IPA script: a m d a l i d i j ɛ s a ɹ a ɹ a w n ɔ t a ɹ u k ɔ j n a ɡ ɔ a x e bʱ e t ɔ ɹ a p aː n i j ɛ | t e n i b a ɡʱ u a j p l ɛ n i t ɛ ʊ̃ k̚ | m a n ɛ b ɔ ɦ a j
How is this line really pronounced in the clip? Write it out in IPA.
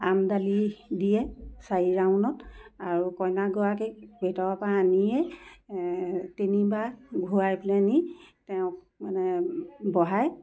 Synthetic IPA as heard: a m d a l i d i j ɛ s a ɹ i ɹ a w n ɔ t a ɹ u k ɔ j n a ɡ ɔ a k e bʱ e t ɔ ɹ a p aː n i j ɛ | t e n i b a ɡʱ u a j p l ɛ n i t ɛ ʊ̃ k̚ | m a n ɛ b ɔ ɦ a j